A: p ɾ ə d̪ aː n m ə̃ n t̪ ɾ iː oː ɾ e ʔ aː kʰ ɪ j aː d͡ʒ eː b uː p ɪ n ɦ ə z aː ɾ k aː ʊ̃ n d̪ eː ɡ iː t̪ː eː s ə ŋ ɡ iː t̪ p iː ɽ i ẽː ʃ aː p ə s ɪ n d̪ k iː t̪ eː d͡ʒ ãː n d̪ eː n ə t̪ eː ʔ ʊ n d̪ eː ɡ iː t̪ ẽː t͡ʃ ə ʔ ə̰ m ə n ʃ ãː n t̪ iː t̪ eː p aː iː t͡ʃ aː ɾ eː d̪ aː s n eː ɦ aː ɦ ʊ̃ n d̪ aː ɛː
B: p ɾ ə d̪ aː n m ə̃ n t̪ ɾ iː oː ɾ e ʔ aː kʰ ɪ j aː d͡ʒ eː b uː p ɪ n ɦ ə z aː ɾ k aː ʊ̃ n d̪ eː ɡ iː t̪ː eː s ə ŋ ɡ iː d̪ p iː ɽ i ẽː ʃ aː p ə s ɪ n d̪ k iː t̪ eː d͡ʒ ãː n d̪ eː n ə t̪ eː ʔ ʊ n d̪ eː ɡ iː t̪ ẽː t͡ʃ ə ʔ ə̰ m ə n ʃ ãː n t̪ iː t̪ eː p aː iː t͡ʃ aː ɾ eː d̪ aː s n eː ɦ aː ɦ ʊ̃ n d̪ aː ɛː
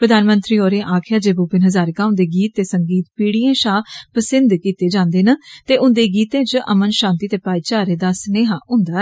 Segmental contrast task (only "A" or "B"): A